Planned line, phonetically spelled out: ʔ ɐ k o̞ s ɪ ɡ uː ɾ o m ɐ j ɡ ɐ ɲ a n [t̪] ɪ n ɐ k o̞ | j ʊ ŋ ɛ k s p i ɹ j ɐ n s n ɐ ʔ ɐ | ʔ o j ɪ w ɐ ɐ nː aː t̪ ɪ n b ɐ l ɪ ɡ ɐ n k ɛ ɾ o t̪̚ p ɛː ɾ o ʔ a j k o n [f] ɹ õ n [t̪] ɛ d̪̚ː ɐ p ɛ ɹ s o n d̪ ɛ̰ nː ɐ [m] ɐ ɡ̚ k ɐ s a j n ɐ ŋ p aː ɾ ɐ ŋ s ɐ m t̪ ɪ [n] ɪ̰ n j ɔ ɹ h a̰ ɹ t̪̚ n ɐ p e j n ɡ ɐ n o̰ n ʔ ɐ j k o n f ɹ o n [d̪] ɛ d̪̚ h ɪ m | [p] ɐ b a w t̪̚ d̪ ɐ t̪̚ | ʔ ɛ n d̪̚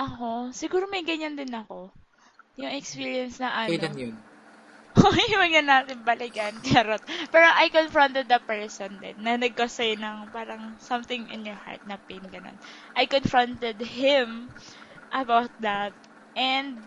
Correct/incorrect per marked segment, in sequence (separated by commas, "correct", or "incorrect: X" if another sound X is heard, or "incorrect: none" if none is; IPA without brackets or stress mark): incorrect: d̪, correct, correct, incorrect: n, incorrect: ŋ, incorrect: t̪, incorrect: ʔ